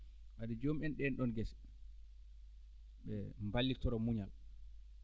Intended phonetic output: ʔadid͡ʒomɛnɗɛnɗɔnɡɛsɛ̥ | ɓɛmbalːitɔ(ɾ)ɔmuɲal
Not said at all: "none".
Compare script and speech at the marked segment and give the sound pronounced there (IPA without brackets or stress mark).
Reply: ɾ